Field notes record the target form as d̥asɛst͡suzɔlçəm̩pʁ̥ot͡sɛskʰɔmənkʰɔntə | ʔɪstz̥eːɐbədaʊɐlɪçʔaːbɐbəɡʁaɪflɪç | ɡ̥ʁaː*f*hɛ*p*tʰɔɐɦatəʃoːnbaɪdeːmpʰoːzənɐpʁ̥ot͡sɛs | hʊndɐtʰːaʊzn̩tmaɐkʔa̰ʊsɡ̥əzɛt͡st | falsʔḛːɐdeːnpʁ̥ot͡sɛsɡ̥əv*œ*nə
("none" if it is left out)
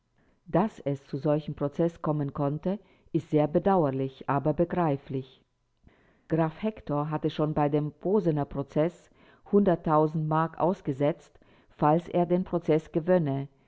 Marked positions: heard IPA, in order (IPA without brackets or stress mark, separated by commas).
f, k, œ